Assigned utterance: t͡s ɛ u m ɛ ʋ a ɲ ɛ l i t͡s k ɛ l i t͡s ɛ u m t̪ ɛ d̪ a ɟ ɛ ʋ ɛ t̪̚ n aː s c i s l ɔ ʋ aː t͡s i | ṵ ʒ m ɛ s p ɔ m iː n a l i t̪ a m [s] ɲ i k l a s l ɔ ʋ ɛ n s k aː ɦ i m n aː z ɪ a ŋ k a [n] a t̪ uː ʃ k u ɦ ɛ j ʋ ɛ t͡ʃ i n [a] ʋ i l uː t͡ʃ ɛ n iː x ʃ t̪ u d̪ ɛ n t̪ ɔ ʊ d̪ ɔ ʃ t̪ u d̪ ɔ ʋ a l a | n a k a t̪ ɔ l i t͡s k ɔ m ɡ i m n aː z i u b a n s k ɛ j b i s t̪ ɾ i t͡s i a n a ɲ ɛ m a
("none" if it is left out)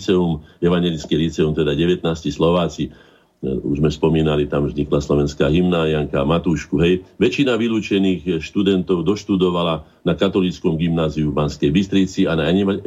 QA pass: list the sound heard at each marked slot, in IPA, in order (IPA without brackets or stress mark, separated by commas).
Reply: z, m, a